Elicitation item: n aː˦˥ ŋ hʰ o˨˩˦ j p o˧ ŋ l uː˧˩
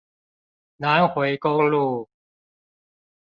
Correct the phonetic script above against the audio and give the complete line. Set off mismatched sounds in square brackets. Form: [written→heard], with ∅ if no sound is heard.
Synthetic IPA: n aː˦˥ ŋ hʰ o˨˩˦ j [p→k] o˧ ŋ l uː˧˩